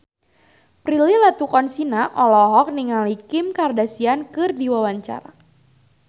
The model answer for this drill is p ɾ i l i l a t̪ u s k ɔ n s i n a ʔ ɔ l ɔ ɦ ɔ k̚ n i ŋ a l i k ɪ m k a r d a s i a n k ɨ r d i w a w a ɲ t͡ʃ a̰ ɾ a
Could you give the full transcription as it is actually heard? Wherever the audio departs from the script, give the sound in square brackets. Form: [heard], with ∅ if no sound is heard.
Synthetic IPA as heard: p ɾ i l i l a t̪ u [∅] k ɔ n s i n a ʔ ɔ l ɔ ɦ ɔ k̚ n i ŋ a l i k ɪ m k a r d a s i a n k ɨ r d i w a w a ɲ t͡ʃ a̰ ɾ a